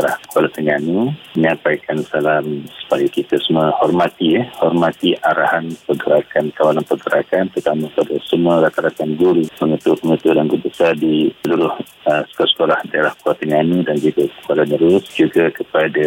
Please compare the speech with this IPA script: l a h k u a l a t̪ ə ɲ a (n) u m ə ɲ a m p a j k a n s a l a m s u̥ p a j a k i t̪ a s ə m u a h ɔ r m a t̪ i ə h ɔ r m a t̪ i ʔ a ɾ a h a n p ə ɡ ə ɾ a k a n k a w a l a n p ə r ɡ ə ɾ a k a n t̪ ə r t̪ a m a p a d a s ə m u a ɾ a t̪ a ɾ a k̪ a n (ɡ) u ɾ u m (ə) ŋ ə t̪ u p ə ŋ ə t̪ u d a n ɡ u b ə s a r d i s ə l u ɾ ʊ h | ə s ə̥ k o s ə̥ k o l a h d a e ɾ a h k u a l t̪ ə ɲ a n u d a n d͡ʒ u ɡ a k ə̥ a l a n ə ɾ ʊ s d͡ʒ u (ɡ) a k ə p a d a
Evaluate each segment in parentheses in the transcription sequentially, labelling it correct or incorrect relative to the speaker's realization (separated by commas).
correct, correct, correct, correct